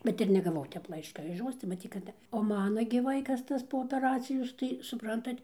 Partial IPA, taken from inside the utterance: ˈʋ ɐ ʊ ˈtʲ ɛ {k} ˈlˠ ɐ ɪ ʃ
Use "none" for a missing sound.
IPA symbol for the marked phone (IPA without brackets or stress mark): p